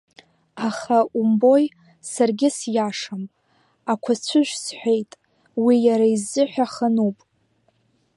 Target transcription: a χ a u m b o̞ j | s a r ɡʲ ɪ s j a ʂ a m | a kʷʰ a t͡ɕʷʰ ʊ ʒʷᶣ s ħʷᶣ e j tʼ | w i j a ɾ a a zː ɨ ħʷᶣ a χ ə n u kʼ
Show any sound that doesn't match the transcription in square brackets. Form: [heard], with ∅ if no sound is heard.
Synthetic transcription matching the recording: a χ a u m b o̞ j | s a r ɡʲ ɪ s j a ʂ a m | a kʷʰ a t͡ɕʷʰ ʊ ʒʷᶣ s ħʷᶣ e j tʼ | w i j a ɾ a [i] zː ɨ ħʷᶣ a χ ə n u [pʼ]